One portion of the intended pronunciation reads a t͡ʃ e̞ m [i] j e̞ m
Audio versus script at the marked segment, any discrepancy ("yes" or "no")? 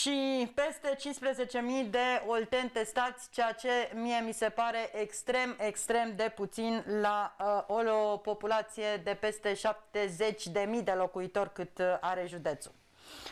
no